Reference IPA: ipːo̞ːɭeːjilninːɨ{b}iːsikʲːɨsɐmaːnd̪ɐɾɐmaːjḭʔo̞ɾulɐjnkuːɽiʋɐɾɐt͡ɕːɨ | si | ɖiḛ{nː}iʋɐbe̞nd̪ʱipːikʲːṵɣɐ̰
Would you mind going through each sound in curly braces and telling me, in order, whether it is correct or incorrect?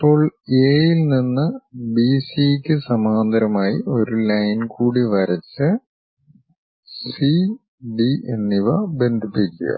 correct, correct

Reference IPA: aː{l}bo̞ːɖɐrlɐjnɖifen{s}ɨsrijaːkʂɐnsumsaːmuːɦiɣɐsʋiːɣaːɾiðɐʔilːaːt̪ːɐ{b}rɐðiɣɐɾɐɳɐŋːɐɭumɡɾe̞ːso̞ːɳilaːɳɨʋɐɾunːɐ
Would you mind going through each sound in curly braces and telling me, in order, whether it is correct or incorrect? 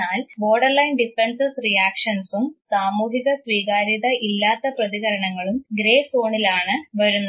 correct, correct, incorrect: p

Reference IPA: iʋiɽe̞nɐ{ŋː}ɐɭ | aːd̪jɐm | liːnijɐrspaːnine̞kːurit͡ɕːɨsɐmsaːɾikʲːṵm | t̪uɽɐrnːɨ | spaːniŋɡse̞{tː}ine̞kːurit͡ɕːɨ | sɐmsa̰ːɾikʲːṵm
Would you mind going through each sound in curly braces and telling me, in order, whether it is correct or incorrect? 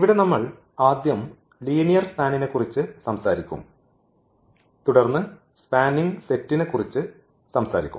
incorrect: mː, correct

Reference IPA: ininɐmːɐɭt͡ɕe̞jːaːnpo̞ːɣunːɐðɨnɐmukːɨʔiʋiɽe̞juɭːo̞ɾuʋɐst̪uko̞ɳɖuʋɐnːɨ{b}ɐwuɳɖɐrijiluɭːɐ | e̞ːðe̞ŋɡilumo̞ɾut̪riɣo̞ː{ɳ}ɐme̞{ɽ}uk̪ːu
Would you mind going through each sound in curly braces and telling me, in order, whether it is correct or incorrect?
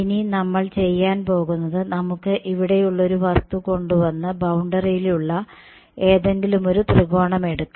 correct, correct, correct

